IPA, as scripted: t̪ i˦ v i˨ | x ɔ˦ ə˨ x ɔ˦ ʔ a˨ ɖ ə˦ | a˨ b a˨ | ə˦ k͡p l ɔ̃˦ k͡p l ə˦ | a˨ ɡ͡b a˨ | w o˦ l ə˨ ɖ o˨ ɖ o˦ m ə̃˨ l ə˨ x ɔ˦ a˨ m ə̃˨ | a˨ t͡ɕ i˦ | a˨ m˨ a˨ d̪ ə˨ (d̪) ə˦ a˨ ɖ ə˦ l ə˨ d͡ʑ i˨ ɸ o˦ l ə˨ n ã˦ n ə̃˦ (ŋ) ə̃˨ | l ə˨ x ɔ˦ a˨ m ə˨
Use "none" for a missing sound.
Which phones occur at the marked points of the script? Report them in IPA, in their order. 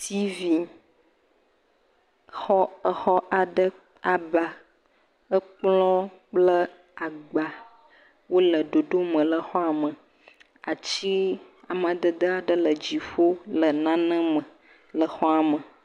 d̪, m

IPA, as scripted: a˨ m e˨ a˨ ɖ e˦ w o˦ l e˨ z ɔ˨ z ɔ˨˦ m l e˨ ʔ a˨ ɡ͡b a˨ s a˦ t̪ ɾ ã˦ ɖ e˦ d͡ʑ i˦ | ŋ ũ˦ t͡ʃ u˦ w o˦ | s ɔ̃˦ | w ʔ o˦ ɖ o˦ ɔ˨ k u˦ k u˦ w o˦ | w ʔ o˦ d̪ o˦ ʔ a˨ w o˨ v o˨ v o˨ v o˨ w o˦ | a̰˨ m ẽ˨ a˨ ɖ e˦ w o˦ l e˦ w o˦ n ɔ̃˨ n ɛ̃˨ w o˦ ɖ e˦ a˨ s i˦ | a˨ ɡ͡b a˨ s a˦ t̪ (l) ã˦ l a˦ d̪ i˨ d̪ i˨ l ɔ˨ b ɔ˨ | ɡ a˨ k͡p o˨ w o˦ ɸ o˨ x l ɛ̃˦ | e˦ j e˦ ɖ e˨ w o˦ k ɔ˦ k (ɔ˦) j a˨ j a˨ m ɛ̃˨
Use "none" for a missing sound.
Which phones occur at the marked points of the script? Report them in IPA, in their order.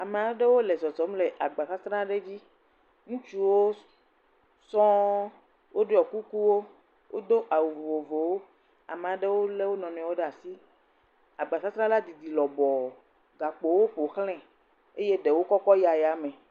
ɾ, ɔ˦

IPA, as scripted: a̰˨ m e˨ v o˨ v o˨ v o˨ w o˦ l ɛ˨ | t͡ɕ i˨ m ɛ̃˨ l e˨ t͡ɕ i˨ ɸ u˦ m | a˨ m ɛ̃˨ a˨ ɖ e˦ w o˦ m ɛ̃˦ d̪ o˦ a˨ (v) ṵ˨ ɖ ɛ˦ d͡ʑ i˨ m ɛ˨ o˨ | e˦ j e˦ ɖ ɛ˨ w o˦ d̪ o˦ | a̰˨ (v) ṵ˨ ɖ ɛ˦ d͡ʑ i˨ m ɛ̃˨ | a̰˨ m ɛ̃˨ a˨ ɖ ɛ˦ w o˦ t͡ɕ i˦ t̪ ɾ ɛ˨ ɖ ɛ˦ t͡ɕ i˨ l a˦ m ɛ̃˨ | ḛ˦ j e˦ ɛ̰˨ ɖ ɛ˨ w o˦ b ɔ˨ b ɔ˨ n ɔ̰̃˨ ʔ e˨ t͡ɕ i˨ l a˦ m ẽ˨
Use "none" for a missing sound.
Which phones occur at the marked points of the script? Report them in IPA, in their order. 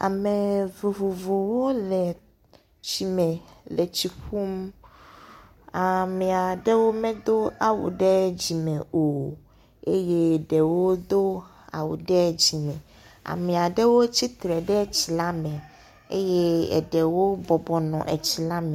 w, w

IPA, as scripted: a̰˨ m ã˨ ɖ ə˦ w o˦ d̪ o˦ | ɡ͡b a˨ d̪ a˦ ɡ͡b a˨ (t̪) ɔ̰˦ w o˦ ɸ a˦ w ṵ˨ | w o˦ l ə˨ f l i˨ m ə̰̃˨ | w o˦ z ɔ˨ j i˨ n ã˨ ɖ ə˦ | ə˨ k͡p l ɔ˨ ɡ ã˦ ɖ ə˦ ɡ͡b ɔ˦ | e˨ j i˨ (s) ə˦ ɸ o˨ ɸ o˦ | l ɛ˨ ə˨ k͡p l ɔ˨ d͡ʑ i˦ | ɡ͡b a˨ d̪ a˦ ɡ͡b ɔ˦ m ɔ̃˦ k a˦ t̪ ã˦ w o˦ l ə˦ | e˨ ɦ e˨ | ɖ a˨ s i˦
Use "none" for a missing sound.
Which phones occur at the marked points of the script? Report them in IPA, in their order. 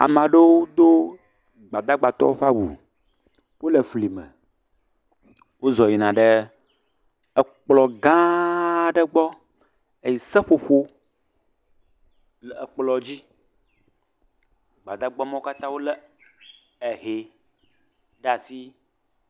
t̪, s

